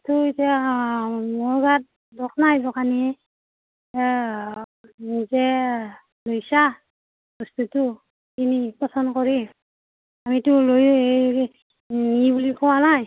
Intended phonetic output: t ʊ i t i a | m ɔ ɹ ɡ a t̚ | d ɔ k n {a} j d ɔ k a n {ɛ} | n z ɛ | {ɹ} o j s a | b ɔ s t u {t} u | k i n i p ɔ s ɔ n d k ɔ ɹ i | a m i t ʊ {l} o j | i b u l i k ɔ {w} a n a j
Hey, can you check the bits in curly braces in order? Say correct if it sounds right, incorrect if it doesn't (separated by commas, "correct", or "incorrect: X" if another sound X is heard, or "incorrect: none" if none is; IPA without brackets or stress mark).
correct, incorrect: i, incorrect: l, correct, correct, correct